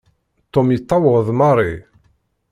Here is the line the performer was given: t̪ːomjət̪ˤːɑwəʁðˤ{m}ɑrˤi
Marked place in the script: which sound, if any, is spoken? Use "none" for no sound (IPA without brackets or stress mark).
m